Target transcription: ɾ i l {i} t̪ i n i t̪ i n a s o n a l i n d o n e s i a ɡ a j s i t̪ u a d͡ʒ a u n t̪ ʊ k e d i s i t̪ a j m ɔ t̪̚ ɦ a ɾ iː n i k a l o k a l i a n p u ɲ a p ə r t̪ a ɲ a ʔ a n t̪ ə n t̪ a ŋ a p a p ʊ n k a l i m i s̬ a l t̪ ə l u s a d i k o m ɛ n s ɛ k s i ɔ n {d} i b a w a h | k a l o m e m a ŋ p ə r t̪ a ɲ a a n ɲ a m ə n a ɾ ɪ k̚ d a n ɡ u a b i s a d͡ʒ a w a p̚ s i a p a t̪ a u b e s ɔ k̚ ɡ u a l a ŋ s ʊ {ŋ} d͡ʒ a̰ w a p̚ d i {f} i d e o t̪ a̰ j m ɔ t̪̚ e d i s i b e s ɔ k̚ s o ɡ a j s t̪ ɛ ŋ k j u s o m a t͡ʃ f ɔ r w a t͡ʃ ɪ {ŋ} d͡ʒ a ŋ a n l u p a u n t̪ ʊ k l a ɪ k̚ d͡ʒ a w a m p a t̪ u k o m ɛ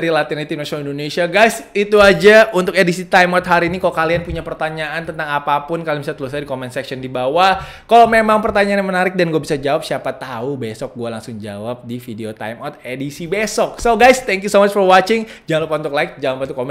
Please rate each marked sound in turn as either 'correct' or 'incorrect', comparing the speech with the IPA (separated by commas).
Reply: incorrect, correct, correct, correct, correct